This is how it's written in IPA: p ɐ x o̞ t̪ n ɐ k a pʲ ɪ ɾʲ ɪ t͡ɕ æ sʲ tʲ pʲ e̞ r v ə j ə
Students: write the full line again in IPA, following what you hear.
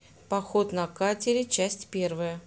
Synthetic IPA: p ɐ x o̞ t̪ n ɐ k a tʲ ɪ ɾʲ ɪ t͡ɕ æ sʲ tʲ pʲ e̞ r v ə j ə

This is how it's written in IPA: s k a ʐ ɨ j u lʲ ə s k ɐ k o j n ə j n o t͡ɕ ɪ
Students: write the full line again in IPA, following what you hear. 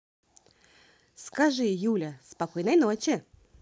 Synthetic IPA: s k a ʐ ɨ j u lʲ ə s p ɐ k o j n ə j n o t͡ɕ ɪ

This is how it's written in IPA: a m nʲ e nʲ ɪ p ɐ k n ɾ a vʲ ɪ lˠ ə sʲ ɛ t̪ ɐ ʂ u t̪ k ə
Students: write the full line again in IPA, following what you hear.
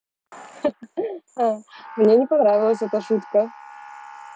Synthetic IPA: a m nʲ e nʲ ɪ p ɐ n ɾ a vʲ ɪ lˠ ə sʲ ɛ t̪ ə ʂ u t̪ k ə

